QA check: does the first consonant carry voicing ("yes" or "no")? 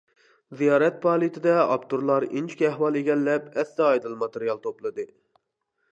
yes